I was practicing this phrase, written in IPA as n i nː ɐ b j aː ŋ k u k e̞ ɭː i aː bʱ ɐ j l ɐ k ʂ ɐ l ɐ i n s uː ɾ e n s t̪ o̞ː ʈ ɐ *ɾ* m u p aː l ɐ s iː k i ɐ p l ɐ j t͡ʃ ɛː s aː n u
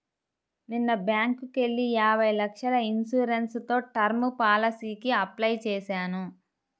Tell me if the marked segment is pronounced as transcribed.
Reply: yes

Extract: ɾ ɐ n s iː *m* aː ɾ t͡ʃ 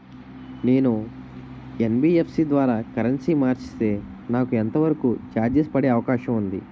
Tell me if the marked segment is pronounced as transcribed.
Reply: yes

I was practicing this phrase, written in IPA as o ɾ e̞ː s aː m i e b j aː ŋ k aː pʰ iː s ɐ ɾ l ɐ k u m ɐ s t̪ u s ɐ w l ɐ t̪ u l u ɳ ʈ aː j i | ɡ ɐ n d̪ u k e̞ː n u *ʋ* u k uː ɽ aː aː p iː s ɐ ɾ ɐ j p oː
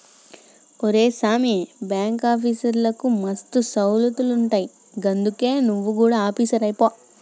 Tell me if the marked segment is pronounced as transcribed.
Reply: no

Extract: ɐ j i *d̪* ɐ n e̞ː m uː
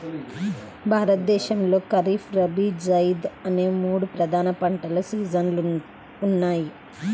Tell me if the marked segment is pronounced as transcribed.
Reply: yes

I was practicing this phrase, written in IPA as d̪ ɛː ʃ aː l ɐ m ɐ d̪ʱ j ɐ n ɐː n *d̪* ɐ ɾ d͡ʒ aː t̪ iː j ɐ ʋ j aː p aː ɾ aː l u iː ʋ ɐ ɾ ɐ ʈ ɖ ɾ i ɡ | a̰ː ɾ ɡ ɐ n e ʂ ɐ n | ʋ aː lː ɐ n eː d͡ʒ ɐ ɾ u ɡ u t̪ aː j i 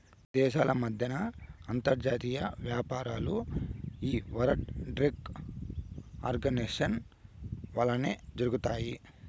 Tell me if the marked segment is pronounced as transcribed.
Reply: no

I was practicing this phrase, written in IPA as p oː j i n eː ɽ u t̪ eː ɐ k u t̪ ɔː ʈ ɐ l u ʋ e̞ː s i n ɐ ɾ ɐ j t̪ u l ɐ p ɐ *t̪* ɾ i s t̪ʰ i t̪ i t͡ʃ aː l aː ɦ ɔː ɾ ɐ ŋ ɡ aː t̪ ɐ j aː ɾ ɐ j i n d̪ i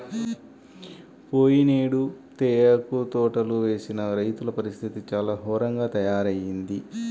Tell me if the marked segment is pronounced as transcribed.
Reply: no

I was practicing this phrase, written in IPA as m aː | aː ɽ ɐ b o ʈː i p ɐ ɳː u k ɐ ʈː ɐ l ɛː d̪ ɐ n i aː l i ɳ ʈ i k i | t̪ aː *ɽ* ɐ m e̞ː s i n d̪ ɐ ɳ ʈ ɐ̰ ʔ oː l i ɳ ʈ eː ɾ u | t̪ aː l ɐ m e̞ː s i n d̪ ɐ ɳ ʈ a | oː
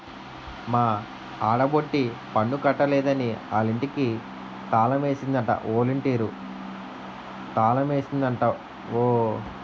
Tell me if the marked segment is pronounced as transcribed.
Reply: no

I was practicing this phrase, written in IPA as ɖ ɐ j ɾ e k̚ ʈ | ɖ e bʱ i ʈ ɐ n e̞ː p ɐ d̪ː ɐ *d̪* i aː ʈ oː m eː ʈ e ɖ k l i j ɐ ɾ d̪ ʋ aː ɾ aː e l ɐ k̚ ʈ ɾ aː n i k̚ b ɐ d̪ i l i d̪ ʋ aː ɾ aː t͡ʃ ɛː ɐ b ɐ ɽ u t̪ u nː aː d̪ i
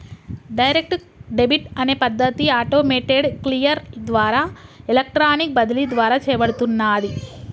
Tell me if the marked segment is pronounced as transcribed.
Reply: no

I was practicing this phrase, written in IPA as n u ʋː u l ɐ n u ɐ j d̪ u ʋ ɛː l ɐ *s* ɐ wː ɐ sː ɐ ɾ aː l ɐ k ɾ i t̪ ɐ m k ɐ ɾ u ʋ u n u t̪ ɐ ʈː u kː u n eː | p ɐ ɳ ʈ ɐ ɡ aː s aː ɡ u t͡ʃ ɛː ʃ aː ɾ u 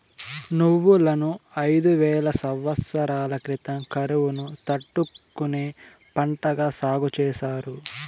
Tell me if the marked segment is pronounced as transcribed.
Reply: yes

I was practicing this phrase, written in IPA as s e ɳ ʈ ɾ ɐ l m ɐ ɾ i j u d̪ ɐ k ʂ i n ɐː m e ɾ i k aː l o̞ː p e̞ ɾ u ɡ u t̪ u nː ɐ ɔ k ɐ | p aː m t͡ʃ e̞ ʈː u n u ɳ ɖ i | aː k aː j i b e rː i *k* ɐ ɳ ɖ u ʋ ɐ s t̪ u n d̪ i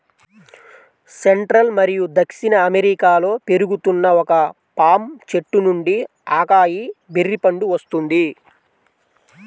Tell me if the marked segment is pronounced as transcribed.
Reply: no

